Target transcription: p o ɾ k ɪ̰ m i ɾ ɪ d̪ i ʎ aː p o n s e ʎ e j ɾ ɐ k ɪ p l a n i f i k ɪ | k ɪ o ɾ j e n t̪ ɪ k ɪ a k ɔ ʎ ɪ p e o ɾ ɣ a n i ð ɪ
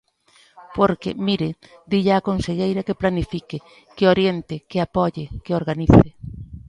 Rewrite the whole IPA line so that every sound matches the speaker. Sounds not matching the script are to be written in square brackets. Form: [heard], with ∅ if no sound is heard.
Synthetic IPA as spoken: p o ɾ k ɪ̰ m i ɾ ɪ d̪ i ʎ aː [k] o n s e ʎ e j ɾ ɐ k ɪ p l a n i f i k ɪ | k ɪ o ɾ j e n t̪ ɪ k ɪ a [p] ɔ ʎ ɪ [k] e o ɾ ɣ a n i [θ] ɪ